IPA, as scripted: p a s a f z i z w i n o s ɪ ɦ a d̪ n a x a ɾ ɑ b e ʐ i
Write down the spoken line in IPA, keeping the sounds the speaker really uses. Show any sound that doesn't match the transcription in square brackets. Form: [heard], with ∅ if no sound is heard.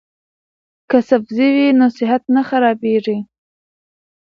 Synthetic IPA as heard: [k] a s a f z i [∅] w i n o s ɪ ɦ a [t̪] n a x a ɾ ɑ b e ʐ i